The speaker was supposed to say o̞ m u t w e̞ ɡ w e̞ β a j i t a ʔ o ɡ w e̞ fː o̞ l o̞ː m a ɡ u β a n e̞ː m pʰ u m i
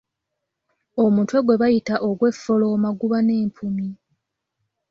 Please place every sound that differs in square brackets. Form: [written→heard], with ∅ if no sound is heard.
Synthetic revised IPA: o̞ m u t w e̞ ɡ w e̞ β a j i t a ʔ o ɡ w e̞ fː o̞ l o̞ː m a ɡ u β a n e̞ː m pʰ u m i

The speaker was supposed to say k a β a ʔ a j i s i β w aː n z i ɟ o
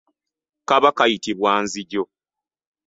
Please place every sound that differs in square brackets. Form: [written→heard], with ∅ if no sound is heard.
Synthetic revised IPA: k a β a [ʔ→k] a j i [s→t] i β w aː n z i ɟ o

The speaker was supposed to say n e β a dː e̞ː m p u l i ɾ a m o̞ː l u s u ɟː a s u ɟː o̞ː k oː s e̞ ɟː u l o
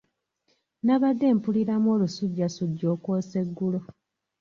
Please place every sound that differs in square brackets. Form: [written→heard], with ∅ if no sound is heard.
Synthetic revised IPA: n [e→a] β a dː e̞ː m p u l i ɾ a m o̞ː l u s u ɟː a s u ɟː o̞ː k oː s e̞ [ɟː→ɡː] u l o

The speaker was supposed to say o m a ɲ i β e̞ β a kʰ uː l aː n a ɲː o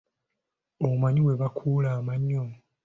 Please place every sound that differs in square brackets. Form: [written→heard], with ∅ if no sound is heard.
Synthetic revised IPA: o m a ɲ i [β→w] e̞ β a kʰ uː l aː [n→m] a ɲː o

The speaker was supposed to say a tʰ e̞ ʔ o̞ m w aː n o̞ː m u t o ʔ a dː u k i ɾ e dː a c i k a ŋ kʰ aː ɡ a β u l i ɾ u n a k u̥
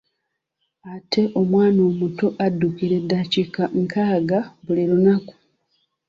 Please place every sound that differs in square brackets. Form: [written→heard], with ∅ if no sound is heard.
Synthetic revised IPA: a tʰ e̞ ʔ o̞ m w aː n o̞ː m u t o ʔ a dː u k i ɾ e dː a c i k a ŋ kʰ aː ɡ a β u l i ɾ u n a k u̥

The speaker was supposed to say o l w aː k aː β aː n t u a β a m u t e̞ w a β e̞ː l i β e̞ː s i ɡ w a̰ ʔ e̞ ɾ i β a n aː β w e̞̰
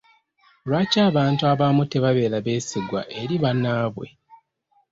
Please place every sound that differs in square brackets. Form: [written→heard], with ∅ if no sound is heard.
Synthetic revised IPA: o l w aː [k→c] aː β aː n t u a β a m u t e̞ [w→β] a β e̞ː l [i→a] β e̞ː s i ɡ w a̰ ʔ e̞ ɾ i β a n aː β w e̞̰

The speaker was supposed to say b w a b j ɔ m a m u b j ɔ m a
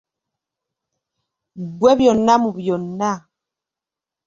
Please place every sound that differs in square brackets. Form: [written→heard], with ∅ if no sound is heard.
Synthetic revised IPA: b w [a→ɛ] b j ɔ [m→n] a m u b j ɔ [m→n] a

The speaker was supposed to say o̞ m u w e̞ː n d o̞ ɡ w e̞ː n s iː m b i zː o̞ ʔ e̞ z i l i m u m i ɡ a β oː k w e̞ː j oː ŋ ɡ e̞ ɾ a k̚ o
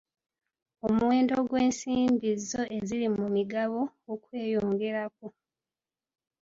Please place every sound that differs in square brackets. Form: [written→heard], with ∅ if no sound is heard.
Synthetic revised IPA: o̞ m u w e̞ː n d o̞ ɡ w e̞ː n s iː m b i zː o̞ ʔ e̞ z i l i m u m i ɡ a β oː k w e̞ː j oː ŋ ɡ e̞ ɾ a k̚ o

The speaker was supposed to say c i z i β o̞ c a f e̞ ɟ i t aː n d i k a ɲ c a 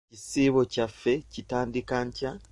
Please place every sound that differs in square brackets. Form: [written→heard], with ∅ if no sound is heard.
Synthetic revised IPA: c i [z→s] i β o̞ c a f e̞ [ɟ→c] i t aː n d i k a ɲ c a

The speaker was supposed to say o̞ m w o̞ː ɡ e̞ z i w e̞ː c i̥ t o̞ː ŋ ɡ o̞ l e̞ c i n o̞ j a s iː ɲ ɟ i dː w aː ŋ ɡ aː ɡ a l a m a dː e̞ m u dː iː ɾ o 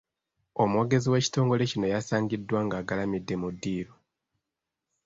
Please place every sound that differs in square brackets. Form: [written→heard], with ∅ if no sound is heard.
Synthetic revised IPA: o̞ m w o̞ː ɡ e̞ z i w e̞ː c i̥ t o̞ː ŋ ɡ o̞ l e̞ c i n o̞ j a s [iː→aː] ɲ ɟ i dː w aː ŋ ɡ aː ɡ a l a m [a→i] dː e̞ m u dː iː ɾ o

